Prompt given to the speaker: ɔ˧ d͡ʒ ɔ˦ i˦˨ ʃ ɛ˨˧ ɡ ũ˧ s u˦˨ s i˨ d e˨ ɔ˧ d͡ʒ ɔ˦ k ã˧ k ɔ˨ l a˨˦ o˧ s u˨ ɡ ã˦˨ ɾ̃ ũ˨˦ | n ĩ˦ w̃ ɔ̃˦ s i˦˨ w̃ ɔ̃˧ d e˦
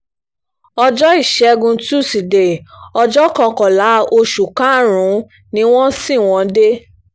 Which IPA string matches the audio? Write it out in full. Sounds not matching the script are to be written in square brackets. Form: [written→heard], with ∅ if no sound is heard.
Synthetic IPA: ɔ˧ d͡ʒ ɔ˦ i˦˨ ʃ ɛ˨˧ ɡ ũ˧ [s→t] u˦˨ s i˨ d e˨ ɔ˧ d͡ʒ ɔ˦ k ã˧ k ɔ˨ l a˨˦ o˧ [s→ʃ] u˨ [ɡ→k] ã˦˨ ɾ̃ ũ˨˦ | n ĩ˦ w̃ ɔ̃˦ s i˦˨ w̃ ɔ̃˧ d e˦